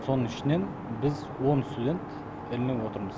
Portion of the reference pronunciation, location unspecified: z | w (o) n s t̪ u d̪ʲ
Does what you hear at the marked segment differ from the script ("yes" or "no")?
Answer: no